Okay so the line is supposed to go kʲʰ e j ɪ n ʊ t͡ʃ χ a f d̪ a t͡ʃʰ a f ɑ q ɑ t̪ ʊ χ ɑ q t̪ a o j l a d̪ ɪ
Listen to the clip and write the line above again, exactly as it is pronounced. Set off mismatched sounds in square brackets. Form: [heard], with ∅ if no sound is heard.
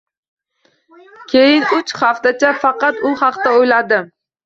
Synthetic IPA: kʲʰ e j ɪ n ʊ t͡ʃ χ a f [t̪] a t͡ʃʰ a f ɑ q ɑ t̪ ʊ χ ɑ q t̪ a o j l a d̪ ɪ